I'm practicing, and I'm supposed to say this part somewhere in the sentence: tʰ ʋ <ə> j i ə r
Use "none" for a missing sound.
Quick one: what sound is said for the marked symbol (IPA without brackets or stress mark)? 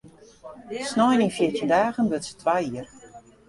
a